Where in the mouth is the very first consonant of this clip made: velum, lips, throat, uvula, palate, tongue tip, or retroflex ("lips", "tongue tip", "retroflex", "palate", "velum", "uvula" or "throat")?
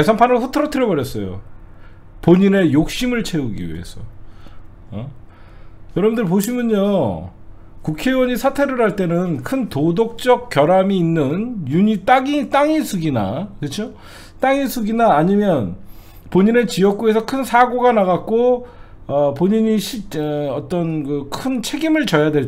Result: tongue tip